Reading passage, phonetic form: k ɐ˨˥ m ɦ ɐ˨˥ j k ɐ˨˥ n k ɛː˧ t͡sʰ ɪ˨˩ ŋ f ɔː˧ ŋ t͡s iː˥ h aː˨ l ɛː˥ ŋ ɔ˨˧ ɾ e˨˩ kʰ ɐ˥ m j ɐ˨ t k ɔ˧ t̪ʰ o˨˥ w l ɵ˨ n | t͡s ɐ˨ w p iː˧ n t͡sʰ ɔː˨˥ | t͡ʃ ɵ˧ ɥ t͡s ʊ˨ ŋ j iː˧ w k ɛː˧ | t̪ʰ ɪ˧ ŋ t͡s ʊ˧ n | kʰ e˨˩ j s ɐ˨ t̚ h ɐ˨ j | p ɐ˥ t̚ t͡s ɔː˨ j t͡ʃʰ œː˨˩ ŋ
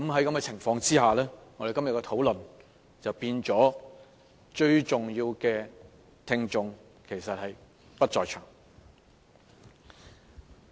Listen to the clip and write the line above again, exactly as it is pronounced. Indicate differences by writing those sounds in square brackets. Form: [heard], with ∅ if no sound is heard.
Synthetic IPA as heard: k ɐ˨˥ m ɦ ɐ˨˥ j k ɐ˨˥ [m] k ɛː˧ t͡sʰ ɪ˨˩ ŋ f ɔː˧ ŋ t͡s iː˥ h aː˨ l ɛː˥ ŋ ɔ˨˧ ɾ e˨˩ [k] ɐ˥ m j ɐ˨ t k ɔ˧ t̪ʰ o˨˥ w l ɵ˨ n | t͡s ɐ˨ w p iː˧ n [t͡s] ɔː˨˥ | t͡ʃ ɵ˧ ɥ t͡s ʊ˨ ŋ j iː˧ w k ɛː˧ | t̪ʰ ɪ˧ ŋ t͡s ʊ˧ [ŋ] | kʰ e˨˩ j s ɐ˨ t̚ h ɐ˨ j | p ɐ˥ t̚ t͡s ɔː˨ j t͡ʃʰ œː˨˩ ŋ

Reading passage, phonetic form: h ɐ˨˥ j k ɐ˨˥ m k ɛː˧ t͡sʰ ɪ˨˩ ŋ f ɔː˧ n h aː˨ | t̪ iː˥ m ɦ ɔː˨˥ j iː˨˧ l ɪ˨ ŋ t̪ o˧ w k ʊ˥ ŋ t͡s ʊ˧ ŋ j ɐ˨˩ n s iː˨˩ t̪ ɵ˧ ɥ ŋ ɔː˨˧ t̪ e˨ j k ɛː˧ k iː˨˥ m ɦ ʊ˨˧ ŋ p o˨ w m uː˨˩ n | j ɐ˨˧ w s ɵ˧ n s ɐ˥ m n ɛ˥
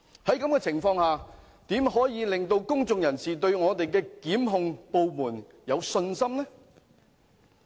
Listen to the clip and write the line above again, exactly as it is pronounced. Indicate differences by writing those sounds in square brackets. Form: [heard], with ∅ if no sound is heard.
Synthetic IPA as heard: h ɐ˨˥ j k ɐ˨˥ m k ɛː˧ t͡sʰ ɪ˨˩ ŋ f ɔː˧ [ŋ] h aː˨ | t̪ [iː˨˥] m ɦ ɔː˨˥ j iː˨˧ l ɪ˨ ŋ t̪ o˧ w k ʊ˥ ŋ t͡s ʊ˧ ŋ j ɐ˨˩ n s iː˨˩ t̪ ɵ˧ ɥ ŋ ɔː˨˧ t̪ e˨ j k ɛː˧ k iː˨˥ m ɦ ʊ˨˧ ŋ p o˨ w m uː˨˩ n | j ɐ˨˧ w s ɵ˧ n s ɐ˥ m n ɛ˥

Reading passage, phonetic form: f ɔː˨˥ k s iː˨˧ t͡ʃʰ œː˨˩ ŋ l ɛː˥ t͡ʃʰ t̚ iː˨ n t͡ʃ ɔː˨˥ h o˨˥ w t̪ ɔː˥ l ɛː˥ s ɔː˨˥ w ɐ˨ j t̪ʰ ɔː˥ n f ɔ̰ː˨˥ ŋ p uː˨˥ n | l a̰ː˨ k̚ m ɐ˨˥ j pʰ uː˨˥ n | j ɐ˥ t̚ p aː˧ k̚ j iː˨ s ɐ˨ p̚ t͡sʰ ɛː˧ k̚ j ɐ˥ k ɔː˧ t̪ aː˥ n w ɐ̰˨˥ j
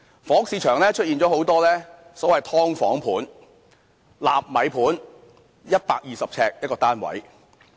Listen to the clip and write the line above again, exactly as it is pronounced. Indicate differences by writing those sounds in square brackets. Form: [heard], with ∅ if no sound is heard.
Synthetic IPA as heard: f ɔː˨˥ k s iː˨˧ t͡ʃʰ œː˨˩ ŋ l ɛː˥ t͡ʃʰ t̚ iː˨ n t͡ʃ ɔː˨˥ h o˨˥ w t̪ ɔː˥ l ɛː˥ s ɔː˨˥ w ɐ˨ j t̪ʰ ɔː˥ [ŋ] f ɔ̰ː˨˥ ŋ [pʰ] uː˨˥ n | l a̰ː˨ [p̚] m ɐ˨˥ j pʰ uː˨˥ n | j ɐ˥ t̚ p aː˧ k̚ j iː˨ s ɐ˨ p̚ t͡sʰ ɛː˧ k̚ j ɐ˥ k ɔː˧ t̪ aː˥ n w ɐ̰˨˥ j

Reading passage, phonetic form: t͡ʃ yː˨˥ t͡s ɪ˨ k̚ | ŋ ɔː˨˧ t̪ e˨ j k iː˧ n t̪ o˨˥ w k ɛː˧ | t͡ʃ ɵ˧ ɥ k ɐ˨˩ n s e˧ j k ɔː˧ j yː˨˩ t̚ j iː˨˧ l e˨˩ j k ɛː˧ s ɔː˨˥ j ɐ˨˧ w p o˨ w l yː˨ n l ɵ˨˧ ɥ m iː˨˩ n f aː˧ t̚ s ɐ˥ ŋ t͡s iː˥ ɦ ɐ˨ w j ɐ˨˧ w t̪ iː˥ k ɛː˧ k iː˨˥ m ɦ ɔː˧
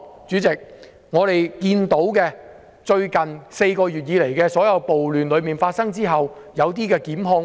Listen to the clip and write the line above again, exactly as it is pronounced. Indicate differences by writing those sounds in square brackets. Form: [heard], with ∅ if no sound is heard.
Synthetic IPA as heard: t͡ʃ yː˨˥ t͡s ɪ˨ k̚ | ŋ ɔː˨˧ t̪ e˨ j k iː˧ n t̪ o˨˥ w k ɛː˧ | t͡ʃ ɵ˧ ɥ k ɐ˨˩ n s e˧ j k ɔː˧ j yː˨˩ t̚ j iː˨˧ l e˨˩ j k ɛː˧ s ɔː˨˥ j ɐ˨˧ w p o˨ w l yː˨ n l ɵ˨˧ ɥ m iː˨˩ n f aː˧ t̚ s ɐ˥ ŋ t͡s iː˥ ɦ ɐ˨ w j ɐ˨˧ w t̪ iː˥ k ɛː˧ k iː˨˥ m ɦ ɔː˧

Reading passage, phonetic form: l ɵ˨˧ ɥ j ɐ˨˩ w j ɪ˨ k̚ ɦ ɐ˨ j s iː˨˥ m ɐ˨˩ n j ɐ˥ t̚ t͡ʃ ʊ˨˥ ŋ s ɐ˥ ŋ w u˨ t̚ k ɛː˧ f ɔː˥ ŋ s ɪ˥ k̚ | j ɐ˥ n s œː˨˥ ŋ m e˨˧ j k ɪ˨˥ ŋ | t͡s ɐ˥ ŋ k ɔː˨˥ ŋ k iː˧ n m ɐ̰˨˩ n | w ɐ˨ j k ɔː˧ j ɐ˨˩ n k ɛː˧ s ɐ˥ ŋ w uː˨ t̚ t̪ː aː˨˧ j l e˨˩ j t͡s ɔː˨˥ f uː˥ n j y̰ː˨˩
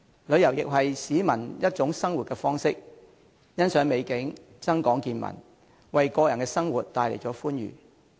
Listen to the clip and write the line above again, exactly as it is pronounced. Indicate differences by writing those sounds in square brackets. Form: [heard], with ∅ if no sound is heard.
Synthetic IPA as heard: l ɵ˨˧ ɥ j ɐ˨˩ w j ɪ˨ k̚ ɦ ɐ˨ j s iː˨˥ m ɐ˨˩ n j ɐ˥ t̚ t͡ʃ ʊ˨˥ ŋ s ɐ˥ ŋ w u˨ t̚ k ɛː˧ f ɔː˥ ŋ s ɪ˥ k̚ | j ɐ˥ n s œː˨˥ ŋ m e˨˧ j k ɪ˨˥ ŋ | t͡s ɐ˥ ŋ k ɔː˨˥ ŋ k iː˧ n m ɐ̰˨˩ n | w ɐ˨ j k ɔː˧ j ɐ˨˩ n k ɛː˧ s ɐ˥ ŋ w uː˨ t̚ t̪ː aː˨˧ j l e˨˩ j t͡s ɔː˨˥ f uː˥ n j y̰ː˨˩

